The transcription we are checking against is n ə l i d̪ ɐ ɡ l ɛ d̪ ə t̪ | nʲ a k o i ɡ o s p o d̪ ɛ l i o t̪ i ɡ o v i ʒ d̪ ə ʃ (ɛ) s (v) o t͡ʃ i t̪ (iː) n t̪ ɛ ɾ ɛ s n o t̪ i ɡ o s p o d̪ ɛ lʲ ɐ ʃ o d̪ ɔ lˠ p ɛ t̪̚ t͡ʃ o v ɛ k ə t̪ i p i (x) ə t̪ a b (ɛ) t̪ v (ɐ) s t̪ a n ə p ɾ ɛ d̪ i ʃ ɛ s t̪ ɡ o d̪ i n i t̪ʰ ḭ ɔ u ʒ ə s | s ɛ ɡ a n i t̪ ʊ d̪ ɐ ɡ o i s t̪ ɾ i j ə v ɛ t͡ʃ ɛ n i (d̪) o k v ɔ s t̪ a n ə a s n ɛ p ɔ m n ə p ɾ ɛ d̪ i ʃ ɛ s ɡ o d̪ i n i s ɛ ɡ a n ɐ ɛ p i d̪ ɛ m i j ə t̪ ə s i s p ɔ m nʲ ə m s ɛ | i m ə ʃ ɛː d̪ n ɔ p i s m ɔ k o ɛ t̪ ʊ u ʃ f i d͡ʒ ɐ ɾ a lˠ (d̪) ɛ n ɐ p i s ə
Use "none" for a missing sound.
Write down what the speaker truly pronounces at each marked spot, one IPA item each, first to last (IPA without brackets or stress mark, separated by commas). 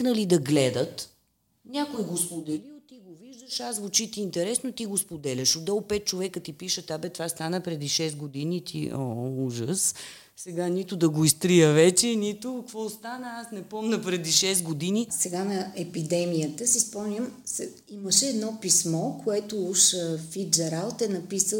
a, v, iː, ʃ, ɛ, a, t̪, t̪